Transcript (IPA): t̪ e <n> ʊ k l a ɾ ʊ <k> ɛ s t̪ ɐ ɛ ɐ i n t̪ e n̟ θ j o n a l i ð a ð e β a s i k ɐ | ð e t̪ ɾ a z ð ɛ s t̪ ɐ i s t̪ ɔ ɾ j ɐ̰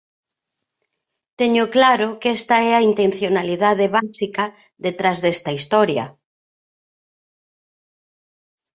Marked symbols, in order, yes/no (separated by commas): no, yes